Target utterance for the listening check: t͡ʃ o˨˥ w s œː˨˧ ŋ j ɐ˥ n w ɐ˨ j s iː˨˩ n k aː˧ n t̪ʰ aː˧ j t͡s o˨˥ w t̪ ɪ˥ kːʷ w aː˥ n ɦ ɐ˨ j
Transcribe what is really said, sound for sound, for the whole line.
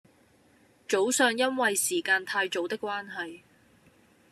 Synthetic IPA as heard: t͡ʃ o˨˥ w s œː˨˧ ŋ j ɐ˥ n w ɐ˨ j s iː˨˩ k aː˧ n t̪ʰ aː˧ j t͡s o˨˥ w t̪ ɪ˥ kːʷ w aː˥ n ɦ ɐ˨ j